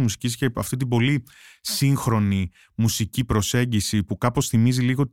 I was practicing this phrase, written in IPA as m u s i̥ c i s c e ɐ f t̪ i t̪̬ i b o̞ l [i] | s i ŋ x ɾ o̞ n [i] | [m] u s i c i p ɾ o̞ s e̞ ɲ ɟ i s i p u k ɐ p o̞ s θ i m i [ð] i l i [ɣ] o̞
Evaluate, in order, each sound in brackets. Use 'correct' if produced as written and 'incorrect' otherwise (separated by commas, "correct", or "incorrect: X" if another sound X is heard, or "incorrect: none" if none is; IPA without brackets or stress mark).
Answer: correct, correct, correct, incorrect: z, correct